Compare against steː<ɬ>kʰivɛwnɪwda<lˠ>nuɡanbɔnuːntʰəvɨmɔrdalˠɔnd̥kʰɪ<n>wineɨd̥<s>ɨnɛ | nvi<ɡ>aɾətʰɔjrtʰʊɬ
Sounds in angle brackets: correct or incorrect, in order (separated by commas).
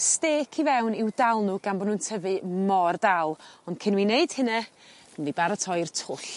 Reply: incorrect, correct, correct, incorrect, incorrect